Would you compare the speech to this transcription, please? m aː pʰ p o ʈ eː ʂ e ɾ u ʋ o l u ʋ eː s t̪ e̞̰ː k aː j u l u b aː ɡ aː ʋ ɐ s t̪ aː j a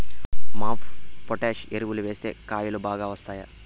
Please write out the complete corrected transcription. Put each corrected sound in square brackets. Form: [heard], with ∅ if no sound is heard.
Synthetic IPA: m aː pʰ p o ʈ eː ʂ e ɾ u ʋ [u] l u ʋ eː s t̪ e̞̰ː k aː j u l u b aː ɡ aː ʋ ɐ s t̪ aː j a